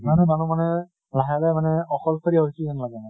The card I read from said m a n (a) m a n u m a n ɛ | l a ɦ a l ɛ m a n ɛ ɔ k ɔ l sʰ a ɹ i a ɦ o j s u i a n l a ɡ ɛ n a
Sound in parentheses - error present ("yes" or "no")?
yes